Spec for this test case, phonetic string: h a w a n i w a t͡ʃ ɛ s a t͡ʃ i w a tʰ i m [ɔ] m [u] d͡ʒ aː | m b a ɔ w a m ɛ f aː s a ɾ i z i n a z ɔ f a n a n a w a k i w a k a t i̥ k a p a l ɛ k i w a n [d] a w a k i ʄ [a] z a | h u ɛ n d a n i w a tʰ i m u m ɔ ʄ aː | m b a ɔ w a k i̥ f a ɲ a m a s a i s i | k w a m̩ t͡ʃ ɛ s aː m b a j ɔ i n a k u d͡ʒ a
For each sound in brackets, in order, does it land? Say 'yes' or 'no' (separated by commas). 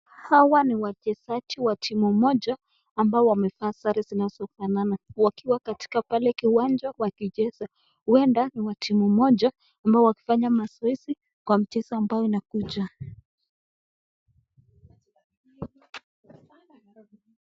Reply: no, no, no, no